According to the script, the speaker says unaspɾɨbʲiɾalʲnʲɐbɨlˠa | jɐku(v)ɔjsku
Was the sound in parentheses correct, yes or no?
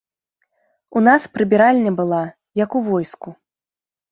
yes